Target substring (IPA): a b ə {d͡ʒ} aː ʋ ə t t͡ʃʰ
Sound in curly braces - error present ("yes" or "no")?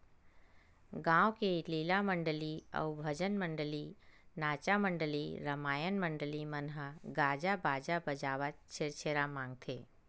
no